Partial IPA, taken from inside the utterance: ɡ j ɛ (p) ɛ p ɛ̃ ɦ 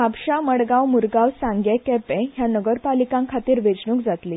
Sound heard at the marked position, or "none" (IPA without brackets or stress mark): k